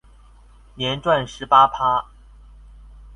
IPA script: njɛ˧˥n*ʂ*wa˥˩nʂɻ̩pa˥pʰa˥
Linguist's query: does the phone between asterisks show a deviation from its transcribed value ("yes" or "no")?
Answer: yes